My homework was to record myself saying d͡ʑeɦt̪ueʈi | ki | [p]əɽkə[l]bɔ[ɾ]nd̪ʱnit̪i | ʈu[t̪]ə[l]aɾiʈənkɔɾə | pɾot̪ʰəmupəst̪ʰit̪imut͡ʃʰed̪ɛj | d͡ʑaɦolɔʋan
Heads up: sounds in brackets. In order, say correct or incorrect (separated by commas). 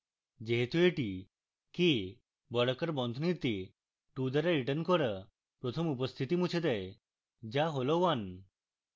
incorrect, incorrect, incorrect, incorrect, incorrect